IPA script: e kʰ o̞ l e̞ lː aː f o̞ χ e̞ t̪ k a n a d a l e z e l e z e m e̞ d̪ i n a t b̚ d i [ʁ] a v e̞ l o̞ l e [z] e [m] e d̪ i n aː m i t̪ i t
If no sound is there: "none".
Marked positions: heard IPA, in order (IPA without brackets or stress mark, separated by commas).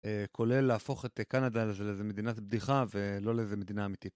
χ, z, m